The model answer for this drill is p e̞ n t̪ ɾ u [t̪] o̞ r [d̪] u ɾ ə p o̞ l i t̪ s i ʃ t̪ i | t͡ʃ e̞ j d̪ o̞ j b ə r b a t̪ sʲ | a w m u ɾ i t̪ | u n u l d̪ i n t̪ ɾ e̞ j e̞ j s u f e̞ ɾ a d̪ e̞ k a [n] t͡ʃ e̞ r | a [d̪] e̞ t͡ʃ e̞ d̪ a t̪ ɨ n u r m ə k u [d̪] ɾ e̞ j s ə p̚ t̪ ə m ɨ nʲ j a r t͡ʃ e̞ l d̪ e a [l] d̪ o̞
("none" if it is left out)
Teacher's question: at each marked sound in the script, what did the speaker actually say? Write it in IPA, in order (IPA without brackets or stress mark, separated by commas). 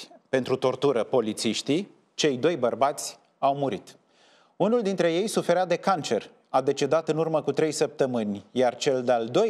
t̪, t̪, n, d̪, t̪, l